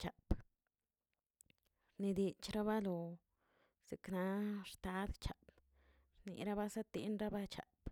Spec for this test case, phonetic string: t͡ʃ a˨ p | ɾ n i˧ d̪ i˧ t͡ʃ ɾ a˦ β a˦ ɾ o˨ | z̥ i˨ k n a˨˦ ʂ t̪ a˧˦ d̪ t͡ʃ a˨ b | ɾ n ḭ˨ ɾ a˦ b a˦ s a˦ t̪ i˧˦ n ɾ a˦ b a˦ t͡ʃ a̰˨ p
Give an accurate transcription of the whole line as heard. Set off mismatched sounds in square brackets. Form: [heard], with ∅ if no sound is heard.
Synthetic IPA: t͡ʃ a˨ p | ɾ n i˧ d̪ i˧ t͡ʃ ɾ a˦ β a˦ [l] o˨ | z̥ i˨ k n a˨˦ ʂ t̪ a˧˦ d̪ t͡ʃ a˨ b | ɾ n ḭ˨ ɾ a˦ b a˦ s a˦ t̪ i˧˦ n ɾ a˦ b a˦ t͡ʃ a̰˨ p